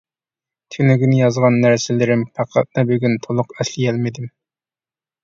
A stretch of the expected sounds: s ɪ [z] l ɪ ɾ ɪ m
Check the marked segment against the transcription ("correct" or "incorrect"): incorrect